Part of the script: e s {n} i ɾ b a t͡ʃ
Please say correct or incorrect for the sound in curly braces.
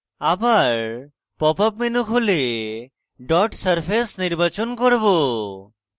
correct